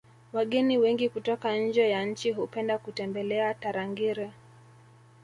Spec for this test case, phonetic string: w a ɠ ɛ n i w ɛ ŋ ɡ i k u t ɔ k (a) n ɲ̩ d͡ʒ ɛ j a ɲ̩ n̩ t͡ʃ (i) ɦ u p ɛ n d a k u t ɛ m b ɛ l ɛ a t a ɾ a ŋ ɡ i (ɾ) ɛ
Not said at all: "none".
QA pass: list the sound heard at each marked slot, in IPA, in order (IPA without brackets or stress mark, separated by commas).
a, i, ɾ